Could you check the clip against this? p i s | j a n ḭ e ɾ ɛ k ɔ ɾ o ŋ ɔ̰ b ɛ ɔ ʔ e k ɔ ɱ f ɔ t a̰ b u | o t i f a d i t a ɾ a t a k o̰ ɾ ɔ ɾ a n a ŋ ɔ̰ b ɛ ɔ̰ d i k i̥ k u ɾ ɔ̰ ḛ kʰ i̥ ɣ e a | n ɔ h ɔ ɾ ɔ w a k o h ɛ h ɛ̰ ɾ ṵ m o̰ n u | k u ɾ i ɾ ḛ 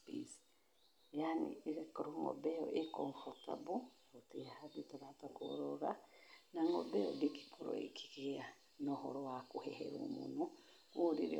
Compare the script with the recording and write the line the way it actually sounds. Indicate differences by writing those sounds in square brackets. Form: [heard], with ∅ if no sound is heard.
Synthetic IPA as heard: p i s | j a n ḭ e ɾ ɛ k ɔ ɾ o ŋ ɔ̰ b ɛ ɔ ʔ e k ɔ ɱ f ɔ t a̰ b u | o t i [h] a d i t a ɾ a t a k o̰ ɾ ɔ ɾ a n a ŋ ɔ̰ b ɛ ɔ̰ d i k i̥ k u ɾ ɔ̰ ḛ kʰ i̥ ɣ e a | n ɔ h ɔ ɾ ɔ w a k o h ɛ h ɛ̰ ɾ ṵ m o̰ n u | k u ɾ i ɾ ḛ